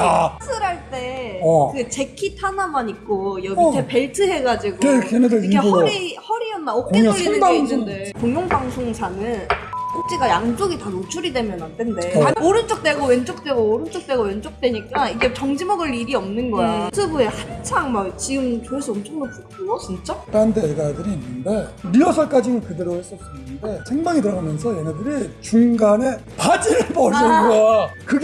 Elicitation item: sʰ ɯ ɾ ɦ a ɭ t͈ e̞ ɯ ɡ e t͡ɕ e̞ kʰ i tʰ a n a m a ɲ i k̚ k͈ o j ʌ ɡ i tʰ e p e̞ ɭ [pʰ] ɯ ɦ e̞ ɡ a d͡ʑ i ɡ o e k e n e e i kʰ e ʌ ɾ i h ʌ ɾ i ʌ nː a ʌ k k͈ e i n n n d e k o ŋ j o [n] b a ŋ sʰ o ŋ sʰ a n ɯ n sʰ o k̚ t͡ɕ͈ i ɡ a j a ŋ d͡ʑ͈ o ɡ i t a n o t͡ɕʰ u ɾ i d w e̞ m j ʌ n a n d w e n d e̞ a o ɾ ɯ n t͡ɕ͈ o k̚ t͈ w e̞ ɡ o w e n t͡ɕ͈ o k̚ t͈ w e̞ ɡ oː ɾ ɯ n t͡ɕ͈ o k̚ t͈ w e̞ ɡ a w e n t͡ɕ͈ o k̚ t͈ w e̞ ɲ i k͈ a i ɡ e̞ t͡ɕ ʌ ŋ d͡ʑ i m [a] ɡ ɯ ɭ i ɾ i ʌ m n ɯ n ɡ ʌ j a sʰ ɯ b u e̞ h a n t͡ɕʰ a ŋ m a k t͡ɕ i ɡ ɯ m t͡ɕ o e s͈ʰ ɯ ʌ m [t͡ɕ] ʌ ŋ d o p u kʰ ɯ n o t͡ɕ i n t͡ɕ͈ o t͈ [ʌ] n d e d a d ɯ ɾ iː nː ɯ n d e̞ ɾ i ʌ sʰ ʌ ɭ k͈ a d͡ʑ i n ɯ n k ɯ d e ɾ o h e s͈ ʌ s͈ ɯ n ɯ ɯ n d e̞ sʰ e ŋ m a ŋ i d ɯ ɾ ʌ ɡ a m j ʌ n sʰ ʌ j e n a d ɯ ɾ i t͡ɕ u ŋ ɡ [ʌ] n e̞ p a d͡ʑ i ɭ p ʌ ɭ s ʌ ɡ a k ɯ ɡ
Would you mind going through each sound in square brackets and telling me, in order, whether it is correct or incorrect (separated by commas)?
incorrect, incorrect, incorrect, incorrect, incorrect, incorrect